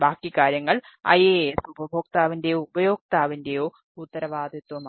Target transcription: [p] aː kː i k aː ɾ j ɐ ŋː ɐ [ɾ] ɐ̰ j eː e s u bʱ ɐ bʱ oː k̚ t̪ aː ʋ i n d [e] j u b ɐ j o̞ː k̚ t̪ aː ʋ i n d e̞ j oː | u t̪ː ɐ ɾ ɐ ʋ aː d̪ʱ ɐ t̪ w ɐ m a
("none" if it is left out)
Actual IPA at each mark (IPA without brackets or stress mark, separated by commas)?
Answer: b, ɭ, e